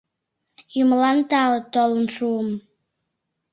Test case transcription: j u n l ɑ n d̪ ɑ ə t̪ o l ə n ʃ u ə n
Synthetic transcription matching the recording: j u m l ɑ n t̪ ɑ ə t̪ o l ə n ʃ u ə m